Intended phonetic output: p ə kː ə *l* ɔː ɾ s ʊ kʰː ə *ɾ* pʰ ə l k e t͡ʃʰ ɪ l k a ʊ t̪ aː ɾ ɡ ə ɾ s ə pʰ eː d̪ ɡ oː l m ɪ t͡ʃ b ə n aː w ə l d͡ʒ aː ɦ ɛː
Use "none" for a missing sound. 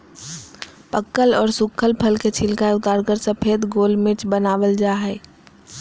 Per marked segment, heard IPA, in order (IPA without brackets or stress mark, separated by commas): l, l